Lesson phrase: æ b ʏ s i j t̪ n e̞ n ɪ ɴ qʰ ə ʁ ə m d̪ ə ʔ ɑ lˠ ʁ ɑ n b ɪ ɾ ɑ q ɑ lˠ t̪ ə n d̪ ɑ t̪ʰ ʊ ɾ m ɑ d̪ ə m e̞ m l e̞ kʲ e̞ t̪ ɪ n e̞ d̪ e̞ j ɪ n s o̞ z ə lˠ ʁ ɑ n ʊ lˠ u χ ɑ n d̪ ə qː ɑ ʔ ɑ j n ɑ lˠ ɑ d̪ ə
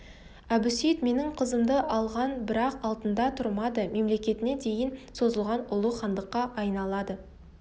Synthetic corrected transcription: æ b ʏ s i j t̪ m e̞ n ɪ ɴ qʰ ə z ə m d̪ ə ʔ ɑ lˠ ʁ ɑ n b ɪ ɾ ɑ q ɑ lˠ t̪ ə n d̪ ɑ t̪ʰ ʊ ɾ m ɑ d̪ ə m e̞ m l e̞ kʲ e̞ t̪ ɪ n e̞ d̪ e̞ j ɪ n s o̞ z ə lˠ ʁ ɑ n ʊ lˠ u χ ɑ n d̪ ə qː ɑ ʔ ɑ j n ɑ lˠ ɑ d̪ ə